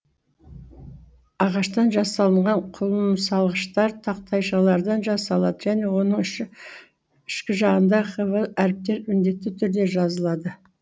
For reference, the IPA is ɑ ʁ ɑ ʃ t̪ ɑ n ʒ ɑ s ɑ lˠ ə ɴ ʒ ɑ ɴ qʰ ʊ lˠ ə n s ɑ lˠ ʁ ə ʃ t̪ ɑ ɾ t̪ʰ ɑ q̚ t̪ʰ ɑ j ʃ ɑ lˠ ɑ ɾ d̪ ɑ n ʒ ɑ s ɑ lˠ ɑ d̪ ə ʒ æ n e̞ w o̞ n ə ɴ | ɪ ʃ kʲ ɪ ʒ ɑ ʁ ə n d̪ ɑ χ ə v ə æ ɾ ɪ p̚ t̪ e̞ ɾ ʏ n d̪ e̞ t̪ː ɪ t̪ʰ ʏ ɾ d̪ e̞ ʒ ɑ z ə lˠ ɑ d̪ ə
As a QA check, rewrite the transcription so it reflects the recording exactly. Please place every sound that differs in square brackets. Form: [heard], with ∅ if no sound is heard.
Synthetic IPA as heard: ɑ ʁ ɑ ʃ t̪ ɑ n ʒ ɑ s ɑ lˠ ə ɴ [ʁ] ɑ ɴ qʰ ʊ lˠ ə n s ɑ lˠ ʁ ə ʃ t̪ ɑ ɾ t̪ʰ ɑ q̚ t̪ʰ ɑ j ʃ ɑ lˠ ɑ ɾ d̪ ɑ n ʒ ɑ s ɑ lˠ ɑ d̪ ə ʒ æ n e̞ w o̞ n ə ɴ | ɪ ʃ kʲ ɪ ʒ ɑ ʁ ə n d̪ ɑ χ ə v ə æ ɾ ɪ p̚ t̪ e̞ ɾ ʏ n d̪ e̞ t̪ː ɪ t̪ʰ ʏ ɾ d̪ e̞ ʒ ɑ z ə lˠ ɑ d̪ ə